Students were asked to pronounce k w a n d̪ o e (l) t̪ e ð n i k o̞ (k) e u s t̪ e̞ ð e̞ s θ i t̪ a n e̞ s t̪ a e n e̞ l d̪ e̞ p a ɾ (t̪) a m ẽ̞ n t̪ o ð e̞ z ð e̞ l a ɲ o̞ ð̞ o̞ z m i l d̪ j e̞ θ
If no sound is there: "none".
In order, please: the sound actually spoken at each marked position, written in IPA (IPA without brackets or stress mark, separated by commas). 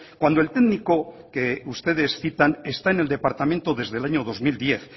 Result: l, k, t̪